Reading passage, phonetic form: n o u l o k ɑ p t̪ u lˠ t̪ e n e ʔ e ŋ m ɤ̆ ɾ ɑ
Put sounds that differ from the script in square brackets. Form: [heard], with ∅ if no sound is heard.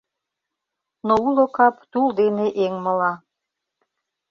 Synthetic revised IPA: n o u l o k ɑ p t̪ u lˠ [d̪] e n e ʔ e ŋ m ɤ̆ [l] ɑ